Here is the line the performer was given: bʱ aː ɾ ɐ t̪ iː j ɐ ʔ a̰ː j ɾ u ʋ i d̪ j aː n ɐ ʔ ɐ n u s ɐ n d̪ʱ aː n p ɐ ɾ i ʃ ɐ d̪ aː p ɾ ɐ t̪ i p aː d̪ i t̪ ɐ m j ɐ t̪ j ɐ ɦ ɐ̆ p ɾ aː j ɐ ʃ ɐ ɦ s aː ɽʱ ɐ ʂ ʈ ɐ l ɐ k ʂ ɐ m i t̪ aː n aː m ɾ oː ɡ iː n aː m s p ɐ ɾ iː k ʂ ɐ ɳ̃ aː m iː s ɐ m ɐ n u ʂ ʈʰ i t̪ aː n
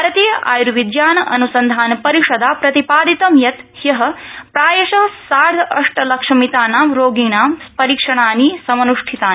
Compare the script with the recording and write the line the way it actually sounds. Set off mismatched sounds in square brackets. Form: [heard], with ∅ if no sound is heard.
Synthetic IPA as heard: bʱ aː ɾ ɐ t̪ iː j ɐ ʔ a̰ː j ɾ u ʋ i d̪ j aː n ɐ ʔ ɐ n u s ɐ n d̪ʱ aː n p ɐ ɾ i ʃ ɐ d̪ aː p ɾ ɐ t̪ i p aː d̪ i t̪ ɐ m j ɐ t̪ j ɐ ɦ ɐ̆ p ɾ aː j ɐ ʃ ɐ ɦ s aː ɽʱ ɐ ʂ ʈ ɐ l ɐ k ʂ ɐ m i t̪ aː n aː m ɾ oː ɡ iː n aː m s p ɐ ɾ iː k ʂ ɐ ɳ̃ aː [n] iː s ɐ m ɐ n u ʂ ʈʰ i t̪ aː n